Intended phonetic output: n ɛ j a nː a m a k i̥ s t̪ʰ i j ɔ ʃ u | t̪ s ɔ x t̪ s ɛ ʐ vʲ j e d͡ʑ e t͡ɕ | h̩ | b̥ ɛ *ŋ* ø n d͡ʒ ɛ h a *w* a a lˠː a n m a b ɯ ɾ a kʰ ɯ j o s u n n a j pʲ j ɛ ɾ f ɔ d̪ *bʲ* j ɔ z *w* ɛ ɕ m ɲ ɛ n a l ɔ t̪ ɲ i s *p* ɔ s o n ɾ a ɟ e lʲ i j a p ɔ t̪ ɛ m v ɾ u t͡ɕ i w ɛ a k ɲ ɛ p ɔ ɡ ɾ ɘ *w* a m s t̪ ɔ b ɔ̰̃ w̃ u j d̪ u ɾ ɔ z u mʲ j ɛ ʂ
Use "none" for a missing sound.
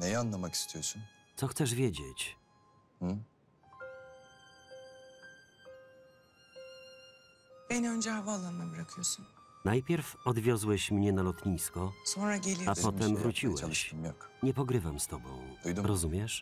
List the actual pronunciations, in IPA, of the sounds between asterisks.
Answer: n, v, vʲ, w, k, v

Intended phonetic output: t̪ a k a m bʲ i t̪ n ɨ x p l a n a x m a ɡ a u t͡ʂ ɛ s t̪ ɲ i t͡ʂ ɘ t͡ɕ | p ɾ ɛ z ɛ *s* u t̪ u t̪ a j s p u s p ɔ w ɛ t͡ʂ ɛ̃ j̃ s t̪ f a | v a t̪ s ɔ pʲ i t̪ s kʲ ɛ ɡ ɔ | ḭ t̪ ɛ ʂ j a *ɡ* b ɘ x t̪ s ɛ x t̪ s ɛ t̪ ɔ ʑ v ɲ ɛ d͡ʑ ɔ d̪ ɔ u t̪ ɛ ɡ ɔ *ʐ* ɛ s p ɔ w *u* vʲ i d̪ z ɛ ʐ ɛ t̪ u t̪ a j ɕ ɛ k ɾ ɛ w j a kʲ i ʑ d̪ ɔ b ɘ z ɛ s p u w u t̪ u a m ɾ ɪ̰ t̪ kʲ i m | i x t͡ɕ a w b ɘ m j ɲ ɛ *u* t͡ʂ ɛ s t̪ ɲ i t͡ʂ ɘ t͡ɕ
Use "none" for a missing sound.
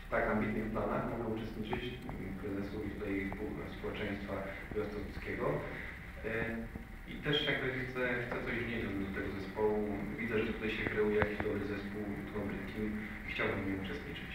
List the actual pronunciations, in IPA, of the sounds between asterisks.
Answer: s, ɡ, z, u, u

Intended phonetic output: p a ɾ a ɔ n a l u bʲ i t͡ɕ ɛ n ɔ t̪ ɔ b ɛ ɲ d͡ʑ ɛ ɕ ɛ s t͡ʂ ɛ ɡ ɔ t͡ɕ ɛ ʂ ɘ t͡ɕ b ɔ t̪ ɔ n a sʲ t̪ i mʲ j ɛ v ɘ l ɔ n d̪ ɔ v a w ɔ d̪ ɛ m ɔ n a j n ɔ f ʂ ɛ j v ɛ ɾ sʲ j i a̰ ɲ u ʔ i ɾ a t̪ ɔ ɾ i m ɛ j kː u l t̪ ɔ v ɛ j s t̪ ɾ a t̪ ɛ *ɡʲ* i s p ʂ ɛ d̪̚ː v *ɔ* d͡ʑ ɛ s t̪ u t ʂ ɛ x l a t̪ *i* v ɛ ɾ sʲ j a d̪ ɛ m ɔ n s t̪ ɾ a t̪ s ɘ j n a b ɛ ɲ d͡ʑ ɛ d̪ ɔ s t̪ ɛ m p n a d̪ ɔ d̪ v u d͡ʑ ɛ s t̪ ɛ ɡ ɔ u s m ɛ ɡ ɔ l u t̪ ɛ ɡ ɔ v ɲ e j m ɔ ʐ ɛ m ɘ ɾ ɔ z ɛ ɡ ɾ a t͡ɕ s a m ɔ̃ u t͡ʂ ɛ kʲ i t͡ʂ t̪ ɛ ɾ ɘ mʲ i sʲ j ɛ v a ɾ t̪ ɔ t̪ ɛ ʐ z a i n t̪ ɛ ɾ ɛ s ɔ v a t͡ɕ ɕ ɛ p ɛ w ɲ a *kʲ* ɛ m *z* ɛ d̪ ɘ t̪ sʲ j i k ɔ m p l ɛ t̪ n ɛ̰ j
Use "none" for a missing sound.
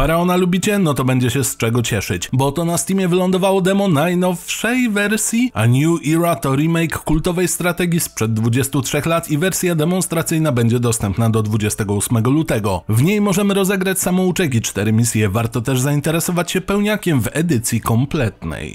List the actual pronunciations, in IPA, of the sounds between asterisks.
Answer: ɡʲ, u, i, kʲ, v

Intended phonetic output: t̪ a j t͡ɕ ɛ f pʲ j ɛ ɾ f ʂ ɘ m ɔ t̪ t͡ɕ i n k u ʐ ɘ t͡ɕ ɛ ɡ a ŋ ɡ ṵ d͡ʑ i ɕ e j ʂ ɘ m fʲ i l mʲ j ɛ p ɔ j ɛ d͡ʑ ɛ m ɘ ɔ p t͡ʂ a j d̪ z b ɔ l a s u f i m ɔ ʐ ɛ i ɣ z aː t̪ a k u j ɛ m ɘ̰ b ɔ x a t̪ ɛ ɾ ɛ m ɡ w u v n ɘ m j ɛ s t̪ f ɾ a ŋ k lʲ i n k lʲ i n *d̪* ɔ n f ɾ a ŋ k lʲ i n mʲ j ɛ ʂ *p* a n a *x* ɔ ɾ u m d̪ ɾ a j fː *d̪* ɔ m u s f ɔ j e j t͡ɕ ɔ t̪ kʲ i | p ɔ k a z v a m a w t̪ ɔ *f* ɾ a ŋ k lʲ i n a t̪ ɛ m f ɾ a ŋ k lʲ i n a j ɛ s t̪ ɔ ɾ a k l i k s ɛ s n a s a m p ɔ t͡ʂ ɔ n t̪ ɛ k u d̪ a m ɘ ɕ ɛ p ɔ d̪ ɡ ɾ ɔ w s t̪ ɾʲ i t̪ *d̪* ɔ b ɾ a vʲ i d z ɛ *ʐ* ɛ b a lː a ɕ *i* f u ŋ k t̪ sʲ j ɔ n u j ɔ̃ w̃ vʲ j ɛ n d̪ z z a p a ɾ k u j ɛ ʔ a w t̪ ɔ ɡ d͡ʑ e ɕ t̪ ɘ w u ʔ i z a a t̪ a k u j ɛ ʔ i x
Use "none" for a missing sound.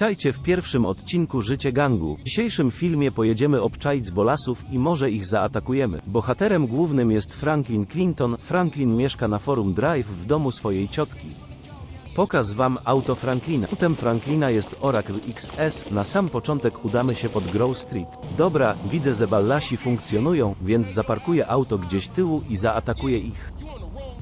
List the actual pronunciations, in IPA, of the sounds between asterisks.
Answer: t̪, k, f, d̪, f, d̪, z, i

